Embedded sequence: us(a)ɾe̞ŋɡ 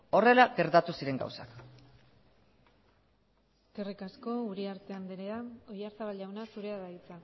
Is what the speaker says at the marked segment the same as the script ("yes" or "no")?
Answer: no